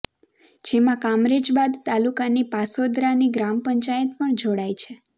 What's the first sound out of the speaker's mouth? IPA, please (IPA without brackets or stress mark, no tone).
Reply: d͡ʒ